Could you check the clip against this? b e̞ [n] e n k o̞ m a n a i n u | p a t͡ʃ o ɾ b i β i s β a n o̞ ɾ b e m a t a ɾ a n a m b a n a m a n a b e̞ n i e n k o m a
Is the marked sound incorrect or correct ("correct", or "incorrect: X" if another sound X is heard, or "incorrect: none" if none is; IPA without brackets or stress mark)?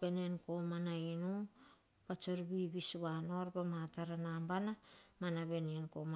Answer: correct